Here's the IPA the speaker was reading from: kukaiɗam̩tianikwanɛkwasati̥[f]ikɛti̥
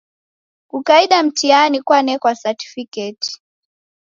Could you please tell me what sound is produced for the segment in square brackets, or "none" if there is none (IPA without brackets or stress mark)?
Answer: f